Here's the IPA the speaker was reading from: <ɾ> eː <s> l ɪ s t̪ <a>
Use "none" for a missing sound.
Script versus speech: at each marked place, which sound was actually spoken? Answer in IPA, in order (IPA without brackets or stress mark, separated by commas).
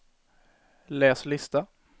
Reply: l, s, a